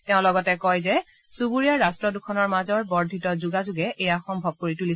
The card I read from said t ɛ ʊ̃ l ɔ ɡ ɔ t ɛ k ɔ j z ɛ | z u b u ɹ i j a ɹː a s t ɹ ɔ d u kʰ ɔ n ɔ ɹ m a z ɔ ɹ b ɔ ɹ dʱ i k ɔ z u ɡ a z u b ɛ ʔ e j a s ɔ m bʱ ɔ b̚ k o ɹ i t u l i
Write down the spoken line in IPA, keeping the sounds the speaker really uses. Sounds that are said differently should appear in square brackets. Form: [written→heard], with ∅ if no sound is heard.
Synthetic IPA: t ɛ ʊ̃ l ɔ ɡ ɔ t ɛ k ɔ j z ɛ | [z→s] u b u ɹ i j a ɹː a s t ɹ ɔ d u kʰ ɔ n ɔ ɹ m a z ɔ ɹ b ɔ ɹ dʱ i [k→t] ɔ z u ɡ a z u [b→ɡ] ɛ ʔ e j a [s→x] ɔ m bʱ ɔ b̚ k o ɹ i t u l i